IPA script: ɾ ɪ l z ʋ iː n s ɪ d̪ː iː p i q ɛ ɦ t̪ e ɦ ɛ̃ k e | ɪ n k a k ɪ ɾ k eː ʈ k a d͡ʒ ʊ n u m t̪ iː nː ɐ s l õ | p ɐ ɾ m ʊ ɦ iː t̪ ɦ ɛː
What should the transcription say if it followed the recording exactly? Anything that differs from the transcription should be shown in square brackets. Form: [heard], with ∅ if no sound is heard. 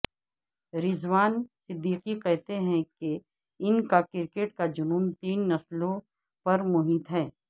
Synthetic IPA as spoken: ɾ ɪ [∅] z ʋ [aː] n s ɪ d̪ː iː [q] i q ɛ ɦ t̪ e ɦ ɛ̃ k e | ɪ n k a k ɪ ɾ k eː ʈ k a d͡ʒ ʊ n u m t̪ iː nː ɐ s l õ | p ɐ ɾ m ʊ ɦ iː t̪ ɦ ɛː

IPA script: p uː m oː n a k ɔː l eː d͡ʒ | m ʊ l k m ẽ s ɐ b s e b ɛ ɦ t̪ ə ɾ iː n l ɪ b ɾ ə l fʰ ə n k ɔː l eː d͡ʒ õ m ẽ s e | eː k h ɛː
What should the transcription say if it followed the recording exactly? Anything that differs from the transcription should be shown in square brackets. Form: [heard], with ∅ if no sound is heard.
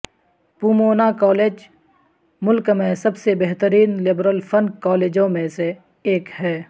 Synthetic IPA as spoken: p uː m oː n a k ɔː l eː d͡ʒ | m ʊ l k m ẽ s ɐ b s e b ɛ ɦ t̪ ə ɾ iː n l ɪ b ɾ ə l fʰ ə n k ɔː l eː d͡ʒ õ m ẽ s e | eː k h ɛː

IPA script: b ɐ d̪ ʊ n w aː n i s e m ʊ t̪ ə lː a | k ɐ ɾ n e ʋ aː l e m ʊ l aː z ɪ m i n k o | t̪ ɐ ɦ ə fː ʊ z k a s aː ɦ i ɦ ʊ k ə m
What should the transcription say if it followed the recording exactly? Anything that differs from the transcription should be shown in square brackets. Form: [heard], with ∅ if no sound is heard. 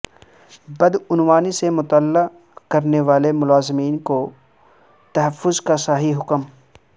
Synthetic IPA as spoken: b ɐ d̪ ʊ n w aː n i s e m ʊ t̪ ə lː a | k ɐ ɾ n e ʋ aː l e m ʊ l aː z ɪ m [iː] n k o | t̪ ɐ ɦ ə fː ʊ z k a s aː ɦ i ɦ ʊ k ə m

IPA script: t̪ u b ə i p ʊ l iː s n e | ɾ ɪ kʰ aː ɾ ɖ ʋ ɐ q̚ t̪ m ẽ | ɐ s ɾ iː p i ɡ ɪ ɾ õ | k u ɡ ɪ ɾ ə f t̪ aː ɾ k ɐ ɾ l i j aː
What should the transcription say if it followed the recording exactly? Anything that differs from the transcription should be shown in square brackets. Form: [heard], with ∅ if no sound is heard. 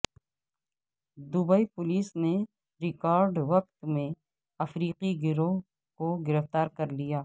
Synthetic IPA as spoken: [d̪] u b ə i p ʊ l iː s n e | ɾ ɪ [k] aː ɾ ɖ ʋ ɐ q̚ t̪ m ẽ | ɐ [f] ɾ iː [q] i ɡ ɪ ɾ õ | k [o] ɡ ɪ ɾ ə f t̪ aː ɾ k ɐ ɾ l i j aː

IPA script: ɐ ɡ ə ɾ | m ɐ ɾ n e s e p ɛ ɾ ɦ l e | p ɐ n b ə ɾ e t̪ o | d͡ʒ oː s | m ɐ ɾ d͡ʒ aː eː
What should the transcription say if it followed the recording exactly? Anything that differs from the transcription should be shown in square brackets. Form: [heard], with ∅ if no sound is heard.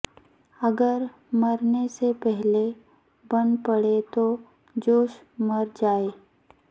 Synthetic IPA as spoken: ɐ ɡ ə ɾ | m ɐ ɾ n e s e p ɛ [∅] ɦ l e | [b] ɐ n [p] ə [ɽ] e t̪ o | d͡ʒ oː [ʃ] | m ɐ ɾ d͡ʒ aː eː

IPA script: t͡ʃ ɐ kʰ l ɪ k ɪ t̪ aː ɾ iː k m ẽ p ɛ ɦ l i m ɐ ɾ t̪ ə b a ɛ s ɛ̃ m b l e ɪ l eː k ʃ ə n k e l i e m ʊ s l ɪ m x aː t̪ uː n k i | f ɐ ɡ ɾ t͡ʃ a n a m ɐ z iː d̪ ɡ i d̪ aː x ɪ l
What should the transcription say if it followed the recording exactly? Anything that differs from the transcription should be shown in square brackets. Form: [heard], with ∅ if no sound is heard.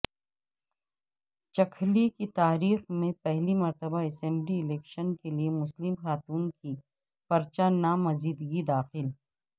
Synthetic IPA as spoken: t͡ʃ ɐ kʰ l [i] k [i] t̪ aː ɾ iː [x] m ẽ p ɛ ɦ l i m ɐ ɾ t̪ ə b a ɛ s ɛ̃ m b l [i] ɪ l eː k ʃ ə n k e l i e m ʊ s l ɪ m x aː t̪ uː n k i | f ɐ [∅] ɾ t͡ʃ a n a m ɐ z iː d̪ ɡ i d̪ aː x ɪ l

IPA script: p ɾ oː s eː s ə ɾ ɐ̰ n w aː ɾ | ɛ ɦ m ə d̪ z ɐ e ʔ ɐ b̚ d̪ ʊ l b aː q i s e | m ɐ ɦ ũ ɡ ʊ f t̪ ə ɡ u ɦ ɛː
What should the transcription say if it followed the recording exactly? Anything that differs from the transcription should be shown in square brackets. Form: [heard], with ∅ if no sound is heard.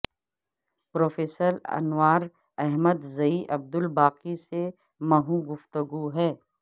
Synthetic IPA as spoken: p ɾ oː [f] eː s ə ɾ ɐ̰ n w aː ɾ | ɛ ɦ m ə d̪ z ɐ [i] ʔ ɐ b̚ d̪ ʊ l b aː q i s e | m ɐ ɦ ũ ɡ ʊ f t̪ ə ɡ u ɦ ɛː

